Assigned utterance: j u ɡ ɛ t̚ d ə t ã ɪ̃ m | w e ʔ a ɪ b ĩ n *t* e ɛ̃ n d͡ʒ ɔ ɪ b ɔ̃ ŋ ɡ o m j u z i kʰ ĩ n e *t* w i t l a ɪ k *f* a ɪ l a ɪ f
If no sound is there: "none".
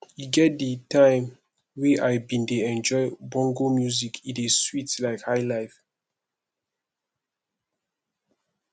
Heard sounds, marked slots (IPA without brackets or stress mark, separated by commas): d, s, h